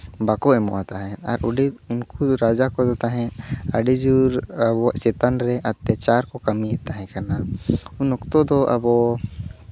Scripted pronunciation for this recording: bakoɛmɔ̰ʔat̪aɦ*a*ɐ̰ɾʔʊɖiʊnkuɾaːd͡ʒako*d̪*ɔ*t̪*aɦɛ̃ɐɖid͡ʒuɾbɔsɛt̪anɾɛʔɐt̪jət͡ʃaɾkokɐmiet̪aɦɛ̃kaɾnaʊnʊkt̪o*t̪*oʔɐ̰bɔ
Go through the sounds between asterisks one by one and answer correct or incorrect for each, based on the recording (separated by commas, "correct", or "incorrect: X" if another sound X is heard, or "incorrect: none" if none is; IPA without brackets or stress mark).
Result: incorrect: ɛ, correct, correct, incorrect: d̪